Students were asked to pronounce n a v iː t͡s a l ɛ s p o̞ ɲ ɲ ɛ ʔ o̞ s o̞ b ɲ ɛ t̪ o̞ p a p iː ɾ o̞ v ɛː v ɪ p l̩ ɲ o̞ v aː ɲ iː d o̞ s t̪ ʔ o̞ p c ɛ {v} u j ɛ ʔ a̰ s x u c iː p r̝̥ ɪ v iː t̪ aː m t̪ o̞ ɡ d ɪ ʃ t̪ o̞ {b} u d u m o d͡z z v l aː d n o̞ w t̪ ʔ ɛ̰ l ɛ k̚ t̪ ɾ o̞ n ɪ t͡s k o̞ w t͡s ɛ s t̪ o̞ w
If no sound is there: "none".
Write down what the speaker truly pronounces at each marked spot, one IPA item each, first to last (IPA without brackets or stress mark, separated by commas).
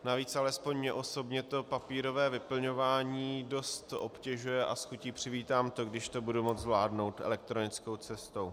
ʒ, b